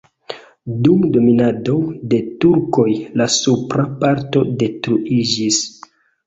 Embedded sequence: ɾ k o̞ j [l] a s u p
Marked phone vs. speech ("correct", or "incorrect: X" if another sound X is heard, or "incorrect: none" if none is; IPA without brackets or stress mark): correct